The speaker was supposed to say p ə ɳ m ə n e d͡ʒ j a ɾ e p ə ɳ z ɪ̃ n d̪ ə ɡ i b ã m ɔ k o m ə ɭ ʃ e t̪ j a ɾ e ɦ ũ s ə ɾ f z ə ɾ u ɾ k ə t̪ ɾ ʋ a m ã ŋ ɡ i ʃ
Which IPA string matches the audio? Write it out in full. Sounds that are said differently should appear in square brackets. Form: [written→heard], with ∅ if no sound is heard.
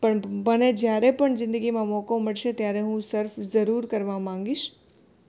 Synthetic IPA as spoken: p ə ɳ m ə n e d͡ʒ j a ɾ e p ə ɳ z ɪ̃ n d̪ ə ɡ i [b→m] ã m ɔ k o m ə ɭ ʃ e t̪ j a ɾ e ɦ ũ s ə ɾ f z ə ɾ u ɾ k ə [t̪→∅] ɾ ʋ a m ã ŋ ɡ i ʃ